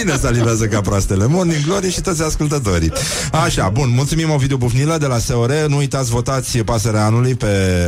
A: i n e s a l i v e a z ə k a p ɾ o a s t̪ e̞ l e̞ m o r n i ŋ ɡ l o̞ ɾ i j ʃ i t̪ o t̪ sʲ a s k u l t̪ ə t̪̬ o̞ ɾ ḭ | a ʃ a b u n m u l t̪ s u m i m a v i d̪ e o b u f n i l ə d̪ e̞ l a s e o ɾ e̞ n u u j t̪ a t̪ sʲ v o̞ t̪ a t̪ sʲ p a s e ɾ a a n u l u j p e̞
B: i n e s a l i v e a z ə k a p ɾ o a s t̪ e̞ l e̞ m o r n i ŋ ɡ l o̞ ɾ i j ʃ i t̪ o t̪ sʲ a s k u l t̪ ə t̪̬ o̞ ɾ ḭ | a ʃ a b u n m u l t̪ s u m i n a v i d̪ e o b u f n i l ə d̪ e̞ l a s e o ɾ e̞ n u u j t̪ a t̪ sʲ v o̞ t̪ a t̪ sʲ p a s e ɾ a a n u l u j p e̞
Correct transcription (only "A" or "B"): A